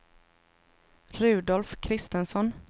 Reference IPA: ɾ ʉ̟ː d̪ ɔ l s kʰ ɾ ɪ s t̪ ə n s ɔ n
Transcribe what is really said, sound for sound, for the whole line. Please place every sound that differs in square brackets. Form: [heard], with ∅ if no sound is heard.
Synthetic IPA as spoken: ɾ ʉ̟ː d̪ ɔ l [f] kʰ ɾ ɪ s t̪ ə n s ɔ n